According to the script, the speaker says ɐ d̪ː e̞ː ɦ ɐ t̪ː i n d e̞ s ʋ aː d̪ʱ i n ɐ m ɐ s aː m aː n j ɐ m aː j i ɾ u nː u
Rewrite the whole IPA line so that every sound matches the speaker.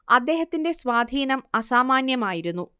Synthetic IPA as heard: ɐ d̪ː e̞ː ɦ ɐ t̪ː i n d e̞ s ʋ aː d̪ʱ iː n ɐ m ɐ s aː m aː n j ɐ m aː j i ɾ u nː u